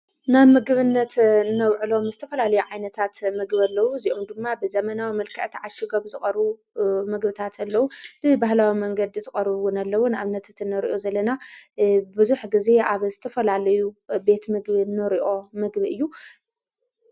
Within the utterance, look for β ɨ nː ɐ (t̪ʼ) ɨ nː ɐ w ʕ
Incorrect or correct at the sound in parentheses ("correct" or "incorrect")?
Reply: incorrect